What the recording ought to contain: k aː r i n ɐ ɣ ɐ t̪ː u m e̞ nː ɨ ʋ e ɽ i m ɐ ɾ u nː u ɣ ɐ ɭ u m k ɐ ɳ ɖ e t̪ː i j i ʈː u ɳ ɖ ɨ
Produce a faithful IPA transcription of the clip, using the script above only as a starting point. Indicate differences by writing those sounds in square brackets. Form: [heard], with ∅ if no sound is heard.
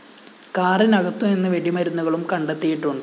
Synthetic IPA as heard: k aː r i n ɐ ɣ ɐ t̪ː u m e̞ nː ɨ ʋ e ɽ i m ɐ ɾ u nː u ɣ ɐ ɭ u m k ɐ ɳ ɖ e t̪ː i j i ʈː u ɳ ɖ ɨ